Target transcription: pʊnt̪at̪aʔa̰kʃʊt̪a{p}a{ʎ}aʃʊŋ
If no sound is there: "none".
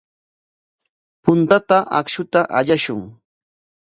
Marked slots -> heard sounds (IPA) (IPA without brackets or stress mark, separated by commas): ʔ, ʎ